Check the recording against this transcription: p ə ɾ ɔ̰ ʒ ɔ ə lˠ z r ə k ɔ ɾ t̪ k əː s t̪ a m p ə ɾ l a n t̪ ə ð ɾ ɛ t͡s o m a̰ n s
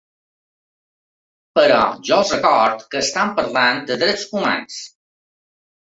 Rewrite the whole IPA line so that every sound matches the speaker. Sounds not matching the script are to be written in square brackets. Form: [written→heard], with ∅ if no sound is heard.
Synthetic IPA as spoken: p ə ɾ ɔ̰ ʒ ɔ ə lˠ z r ə k ɔ ɾ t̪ k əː s t̪ a m p ə ɾ l a n [t̪→d̪] ə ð ɾ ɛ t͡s [o→u] m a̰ n s